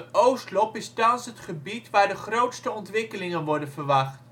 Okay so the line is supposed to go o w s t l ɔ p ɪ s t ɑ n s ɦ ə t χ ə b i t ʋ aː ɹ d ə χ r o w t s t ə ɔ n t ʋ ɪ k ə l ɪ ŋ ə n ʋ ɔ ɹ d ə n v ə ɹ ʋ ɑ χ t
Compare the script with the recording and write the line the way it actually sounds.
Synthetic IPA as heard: o w s t l ɔ p ɪ s t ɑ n s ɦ ə t χ ə b i t ʋ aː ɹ d ə χ r o w t s t ə ɔ n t ʋ ɪ k ə l ɪ ŋ ə n ʋ ɔ ɹ d ə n v ə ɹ ʋ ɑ χ t

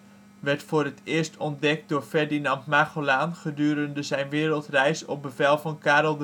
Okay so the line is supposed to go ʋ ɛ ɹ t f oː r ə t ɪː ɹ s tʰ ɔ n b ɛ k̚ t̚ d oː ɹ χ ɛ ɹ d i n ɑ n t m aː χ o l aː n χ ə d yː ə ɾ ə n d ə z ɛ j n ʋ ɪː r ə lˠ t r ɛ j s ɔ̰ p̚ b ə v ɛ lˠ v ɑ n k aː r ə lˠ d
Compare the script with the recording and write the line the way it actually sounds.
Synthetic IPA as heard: ʋ ɛ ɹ t f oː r ə t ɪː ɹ s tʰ ɔ n d ɛ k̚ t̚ d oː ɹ f ɛ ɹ d i n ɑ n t m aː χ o l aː n χ ə d yː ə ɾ ə n d ə z ɛ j n ʋ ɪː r ə lˠ t r ɛ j s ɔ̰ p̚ b ə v ɛ lˠ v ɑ n k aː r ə lˠ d

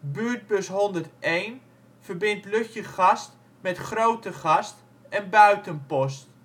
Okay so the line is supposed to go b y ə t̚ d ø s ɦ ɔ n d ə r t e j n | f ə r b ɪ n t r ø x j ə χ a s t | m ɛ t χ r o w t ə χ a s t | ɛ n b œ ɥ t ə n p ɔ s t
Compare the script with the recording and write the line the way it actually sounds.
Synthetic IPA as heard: b y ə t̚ b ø s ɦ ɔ n d ə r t e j n | f ə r b ɪ n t l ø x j ə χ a s t | m ɛ t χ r o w t ə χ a s t | ɛ n b œ ɥ t ə n p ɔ s t

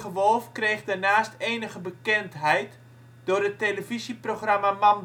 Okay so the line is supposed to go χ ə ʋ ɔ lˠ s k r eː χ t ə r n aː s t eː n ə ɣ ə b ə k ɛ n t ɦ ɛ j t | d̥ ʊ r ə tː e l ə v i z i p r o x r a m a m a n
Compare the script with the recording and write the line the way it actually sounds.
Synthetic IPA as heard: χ ə ʋ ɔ lˠ f k r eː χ d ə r n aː s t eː n ə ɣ ə b ə k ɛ n t ɦ ɛ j t | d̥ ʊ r ə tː e l ə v i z i p r o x r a m a m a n

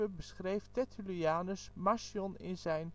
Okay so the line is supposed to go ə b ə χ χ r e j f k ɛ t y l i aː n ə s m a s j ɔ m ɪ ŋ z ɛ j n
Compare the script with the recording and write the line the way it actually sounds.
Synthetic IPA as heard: ə b ə s χ r e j f t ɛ t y l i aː n ə s m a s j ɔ n ɪ n z ɛ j n

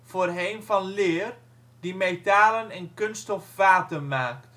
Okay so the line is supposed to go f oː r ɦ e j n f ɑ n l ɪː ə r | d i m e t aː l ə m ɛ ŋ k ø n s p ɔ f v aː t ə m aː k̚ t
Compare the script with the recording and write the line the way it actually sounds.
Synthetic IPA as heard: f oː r ɦ e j n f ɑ n l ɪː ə r | d i m e t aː l ə n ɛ n k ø n s t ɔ f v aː t ə m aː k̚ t

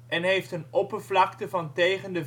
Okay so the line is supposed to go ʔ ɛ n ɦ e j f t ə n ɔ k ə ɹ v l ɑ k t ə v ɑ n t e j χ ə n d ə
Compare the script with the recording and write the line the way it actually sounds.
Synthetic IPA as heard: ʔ ɛ n ɦ e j f t ə n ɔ p ə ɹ v l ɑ k t ə v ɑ n t e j χ ə n d ə

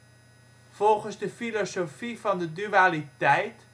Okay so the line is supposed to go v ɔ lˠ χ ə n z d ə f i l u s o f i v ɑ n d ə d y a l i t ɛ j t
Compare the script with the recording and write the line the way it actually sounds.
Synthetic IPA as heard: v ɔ lˠ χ ə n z d ə f i l o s o f i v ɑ n d ə d y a l i t ɛ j t

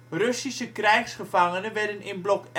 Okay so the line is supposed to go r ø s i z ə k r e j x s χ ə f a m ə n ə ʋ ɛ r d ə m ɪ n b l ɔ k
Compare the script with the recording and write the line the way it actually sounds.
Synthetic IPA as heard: r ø s i s ə k r ɛ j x s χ ə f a ŋ ə n ə ʋ ɛ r d ə n ɪ n b l ɔ k

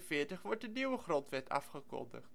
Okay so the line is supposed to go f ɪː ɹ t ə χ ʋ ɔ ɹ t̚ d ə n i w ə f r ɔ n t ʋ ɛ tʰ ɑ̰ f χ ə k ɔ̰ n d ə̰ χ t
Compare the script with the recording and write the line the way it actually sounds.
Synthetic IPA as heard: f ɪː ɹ t ə χ ʋ ɔ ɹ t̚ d ə n i w ə χ r ɔ n t ʋ ɛ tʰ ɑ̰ f χ ə k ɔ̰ n d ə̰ χ t

